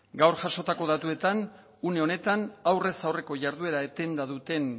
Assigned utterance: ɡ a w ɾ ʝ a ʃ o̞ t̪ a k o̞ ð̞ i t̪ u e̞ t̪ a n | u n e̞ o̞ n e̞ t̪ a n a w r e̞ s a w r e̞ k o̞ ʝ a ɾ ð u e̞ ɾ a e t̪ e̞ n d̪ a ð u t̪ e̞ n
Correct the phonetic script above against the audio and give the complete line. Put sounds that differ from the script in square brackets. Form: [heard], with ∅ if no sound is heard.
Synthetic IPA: ɡ a w ɾ ʝ a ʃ o̞ t̪ a k o̞ ð̞ [a] t̪ u e̞ t̪ a n | u n e̞ o̞ n e̞ t̪ a n a w r e̞ s a w r e̞ k o̞ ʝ a ɾ ð u e̞ ɾ a e t̪ e̞ n d̪ a ð u t̪ e̞ n